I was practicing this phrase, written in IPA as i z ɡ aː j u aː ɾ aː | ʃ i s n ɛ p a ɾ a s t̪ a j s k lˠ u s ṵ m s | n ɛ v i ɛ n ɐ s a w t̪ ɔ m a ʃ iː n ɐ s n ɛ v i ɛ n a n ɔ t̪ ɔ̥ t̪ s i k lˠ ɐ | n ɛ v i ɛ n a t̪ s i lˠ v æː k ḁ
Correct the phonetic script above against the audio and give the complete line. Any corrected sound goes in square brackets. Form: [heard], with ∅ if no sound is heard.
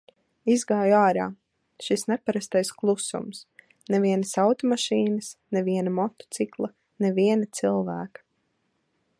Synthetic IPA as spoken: i z ɡ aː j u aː ɾ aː | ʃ i s n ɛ p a ɾ a s t̪ a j s k lˠ u s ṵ m s | n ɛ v i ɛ n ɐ s a w t̪ ɔ m a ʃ iː n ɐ s n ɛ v i ɛ n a [m] ɔ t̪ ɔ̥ t̪ s i k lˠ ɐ | n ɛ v i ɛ n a t̪ s i lˠ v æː k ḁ